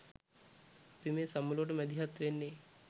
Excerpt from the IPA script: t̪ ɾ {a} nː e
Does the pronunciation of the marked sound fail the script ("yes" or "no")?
yes